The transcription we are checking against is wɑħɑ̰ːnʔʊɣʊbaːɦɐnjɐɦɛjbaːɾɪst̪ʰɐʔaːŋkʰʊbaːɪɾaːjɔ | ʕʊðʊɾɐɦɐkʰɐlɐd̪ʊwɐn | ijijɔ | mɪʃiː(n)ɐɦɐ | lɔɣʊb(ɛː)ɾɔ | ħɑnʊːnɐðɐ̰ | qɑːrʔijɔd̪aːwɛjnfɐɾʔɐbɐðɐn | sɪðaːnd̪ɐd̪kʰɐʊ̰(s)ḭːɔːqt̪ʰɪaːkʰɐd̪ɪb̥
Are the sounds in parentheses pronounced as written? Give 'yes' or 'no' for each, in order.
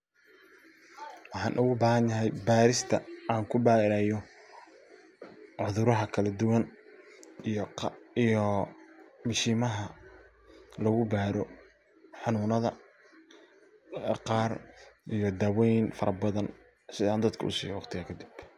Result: no, no, yes

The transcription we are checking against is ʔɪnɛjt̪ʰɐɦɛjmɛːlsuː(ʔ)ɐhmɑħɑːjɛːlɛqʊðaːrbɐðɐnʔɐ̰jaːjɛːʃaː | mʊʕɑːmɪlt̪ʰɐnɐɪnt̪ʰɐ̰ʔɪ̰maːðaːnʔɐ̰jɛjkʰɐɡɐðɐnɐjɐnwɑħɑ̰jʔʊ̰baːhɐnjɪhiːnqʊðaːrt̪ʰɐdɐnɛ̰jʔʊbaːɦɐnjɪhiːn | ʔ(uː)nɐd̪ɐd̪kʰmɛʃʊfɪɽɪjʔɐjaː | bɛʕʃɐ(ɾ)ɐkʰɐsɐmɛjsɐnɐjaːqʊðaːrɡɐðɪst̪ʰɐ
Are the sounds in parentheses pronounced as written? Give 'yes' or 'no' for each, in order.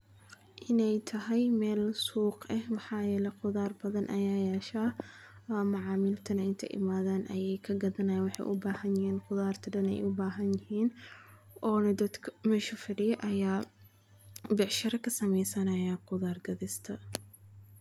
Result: no, no, yes

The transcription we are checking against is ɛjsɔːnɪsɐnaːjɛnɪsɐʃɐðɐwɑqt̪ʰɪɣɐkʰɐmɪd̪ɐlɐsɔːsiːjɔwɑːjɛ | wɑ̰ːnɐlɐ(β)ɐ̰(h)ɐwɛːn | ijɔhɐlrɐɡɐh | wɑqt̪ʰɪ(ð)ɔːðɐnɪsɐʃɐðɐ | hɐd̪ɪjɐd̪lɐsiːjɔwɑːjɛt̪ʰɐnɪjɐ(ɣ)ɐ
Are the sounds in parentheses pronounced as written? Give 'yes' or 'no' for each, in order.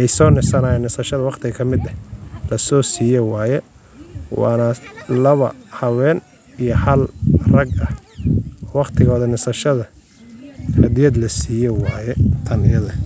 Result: yes, yes, no, no

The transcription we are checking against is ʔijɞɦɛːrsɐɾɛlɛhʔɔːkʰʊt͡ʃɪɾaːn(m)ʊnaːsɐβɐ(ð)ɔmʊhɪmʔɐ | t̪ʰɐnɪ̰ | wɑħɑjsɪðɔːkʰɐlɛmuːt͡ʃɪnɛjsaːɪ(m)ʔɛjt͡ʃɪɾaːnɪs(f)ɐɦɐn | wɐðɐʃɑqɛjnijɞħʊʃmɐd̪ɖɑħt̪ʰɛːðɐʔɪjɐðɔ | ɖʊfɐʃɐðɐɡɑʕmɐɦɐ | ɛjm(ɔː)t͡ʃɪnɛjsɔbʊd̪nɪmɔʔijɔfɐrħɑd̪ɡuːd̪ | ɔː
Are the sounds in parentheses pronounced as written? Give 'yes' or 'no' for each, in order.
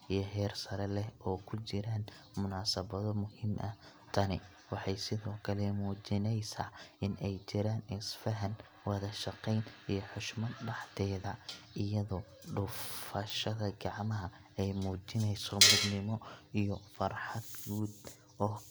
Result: yes, yes, no, yes, no

